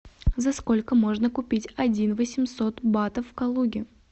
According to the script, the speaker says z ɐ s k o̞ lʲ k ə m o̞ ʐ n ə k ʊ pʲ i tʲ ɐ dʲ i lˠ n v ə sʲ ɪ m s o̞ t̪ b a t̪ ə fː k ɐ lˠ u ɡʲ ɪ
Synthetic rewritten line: z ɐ s k o̞ lʲ k ə m o̞ ʐ n ə k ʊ pʲ i tʲ ɐ dʲ i n v ə sʲ ɪ m s o̞ t̪ b a t̪ ə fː k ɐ lˠ u ɡʲ ɪ

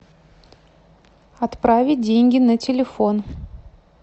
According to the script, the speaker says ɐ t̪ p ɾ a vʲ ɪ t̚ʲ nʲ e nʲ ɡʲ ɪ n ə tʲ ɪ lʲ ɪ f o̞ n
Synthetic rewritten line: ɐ t̪ p ɾ a vʲ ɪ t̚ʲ dʲ e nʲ ɡʲ ɪ n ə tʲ ɪ lʲ ɪ f o̞ n

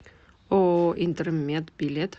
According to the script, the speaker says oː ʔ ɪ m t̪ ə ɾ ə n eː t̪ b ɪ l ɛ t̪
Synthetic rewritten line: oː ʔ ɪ n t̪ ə ɾ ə m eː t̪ b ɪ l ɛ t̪

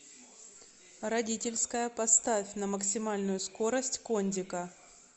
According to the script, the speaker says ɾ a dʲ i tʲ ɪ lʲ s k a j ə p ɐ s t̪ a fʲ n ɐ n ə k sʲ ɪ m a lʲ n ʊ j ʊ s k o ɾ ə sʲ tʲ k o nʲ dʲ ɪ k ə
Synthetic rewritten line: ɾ ɐ dʲ i tʲ ɪ lʲ s k ə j ə p ɐ s t̪ a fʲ n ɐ m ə k sʲ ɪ m a lʲ n ʊ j ʊ s k o ɾ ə sʲ tʲ k o nʲ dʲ ɪ k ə

